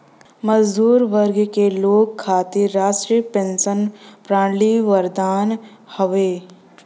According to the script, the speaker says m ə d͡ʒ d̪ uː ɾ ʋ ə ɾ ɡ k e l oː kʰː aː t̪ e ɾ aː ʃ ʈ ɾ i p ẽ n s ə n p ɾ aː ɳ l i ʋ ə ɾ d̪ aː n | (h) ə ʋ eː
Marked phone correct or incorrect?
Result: correct